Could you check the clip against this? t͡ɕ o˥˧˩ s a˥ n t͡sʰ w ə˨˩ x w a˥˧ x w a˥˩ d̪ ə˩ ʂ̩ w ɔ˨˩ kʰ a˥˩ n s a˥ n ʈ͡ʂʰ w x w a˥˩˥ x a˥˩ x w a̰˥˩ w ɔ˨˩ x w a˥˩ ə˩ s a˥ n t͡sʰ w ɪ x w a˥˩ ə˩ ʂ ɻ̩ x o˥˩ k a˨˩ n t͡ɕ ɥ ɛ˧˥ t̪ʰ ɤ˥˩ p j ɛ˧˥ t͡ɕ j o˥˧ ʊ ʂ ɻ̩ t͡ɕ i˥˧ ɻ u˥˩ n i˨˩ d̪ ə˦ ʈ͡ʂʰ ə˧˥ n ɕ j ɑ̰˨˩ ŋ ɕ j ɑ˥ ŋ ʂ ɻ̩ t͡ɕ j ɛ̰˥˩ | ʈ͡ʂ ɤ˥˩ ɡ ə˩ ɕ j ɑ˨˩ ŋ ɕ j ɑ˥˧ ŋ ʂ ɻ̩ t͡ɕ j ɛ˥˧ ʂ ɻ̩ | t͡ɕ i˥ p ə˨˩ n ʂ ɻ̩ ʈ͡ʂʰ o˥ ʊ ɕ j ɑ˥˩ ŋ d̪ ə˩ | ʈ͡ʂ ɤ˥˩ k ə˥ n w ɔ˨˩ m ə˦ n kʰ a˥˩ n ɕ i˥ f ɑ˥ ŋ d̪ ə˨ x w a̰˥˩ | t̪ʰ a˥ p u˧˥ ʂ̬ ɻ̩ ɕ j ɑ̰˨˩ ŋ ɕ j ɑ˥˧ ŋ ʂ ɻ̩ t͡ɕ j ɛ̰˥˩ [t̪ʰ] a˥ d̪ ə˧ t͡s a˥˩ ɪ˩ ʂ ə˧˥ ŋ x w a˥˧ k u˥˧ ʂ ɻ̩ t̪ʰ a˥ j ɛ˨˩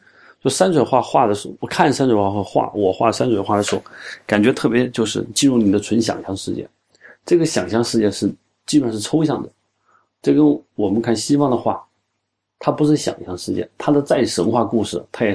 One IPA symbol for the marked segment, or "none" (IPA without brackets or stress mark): t̪ʰ